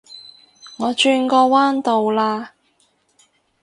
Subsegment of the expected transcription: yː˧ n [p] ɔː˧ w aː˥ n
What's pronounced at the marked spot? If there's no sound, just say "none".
k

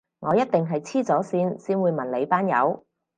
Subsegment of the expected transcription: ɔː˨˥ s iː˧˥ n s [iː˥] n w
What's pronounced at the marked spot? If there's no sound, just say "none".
iː˥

